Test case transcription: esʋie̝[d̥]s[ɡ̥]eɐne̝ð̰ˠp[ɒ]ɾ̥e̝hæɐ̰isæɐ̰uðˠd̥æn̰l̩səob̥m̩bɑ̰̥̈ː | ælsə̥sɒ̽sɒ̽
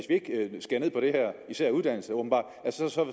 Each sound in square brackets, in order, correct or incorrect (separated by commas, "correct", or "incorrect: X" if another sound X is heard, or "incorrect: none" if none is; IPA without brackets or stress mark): incorrect: ɡ̥, correct, correct